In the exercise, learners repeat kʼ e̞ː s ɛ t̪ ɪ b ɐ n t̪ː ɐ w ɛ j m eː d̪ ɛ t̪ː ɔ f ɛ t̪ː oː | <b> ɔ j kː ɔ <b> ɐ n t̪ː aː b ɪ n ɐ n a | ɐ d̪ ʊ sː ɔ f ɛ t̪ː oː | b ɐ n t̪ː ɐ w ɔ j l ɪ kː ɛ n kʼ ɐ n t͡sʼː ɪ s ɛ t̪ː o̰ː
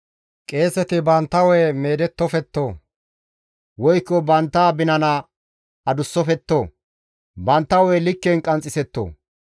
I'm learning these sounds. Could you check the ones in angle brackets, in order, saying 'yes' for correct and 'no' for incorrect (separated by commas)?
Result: no, yes